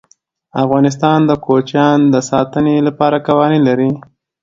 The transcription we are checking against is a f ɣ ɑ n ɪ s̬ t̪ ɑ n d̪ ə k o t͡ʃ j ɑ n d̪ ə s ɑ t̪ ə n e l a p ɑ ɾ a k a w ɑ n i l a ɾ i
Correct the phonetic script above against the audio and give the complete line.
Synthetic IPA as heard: a f ɣ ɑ n ɪ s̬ t̪ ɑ n d̪ ə k o t͡ʃ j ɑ n d̪ ə s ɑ t̪ ə n e l a p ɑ ɾ a k a w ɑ n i l a ɾ i